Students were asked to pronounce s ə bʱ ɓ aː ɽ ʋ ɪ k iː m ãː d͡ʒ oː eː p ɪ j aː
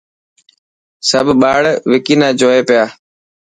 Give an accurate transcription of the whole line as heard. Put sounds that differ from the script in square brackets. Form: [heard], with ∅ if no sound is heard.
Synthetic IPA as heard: s ə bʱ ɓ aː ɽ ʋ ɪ k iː [n] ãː d͡ʒ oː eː p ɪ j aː